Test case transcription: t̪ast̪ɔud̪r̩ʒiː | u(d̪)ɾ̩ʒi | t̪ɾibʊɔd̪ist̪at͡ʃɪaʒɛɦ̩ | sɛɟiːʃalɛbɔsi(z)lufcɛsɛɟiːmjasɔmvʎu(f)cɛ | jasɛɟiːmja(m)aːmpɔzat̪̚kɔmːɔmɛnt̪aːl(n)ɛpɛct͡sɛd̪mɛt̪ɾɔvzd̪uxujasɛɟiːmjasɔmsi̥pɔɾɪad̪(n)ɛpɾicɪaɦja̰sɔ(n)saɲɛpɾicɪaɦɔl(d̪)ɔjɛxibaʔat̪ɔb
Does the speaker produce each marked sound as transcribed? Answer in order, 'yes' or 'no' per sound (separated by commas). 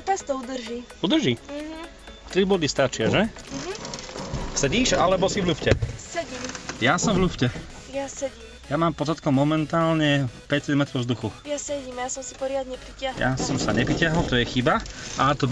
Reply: yes, no, yes, yes, no, no, no, no